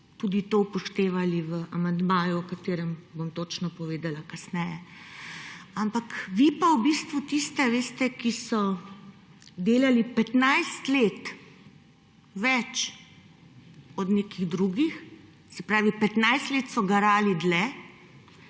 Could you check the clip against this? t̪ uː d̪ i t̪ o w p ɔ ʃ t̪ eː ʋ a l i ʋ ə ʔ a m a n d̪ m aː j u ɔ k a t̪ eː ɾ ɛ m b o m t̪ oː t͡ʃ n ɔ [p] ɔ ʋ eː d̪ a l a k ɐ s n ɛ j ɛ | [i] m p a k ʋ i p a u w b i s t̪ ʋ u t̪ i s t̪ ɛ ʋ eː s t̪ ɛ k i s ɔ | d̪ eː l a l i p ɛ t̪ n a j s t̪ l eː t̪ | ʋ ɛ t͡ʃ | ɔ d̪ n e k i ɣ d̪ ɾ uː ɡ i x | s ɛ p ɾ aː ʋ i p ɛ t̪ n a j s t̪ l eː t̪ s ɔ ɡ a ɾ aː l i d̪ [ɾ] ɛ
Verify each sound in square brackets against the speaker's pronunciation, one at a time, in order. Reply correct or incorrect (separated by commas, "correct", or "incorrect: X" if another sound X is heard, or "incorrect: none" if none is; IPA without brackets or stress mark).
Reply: correct, incorrect: a, incorrect: l